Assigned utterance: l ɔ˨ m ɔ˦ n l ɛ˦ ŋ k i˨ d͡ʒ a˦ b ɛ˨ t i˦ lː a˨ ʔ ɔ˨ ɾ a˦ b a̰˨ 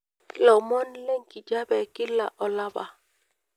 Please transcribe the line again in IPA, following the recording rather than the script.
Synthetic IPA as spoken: l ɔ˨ m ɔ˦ n l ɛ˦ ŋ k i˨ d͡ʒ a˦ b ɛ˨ k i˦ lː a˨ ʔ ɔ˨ l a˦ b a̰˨